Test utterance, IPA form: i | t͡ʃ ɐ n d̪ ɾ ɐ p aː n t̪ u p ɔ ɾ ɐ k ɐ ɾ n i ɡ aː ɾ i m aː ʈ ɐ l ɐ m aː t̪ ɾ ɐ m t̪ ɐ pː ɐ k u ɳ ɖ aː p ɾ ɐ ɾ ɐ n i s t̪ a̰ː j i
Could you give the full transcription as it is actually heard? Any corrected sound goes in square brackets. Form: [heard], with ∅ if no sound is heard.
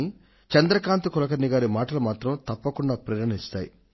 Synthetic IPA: i | t͡ʃ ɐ n d̪ ɾ ɐ [k] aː n t̪ u [k] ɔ [l] ɐ k ɐ ɾ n i ɡ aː ɾ i m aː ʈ ɐ l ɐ m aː t̪ ɾ ɐ m t̪ ɐ pː ɐ k u ɳ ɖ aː p ɾ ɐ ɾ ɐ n i s t̪ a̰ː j i